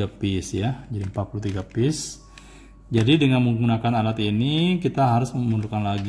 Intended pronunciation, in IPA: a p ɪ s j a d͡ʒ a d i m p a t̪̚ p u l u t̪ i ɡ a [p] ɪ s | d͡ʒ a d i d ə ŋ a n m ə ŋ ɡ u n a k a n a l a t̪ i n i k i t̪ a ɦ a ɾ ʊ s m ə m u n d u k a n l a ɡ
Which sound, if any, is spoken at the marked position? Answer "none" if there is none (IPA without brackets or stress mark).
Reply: p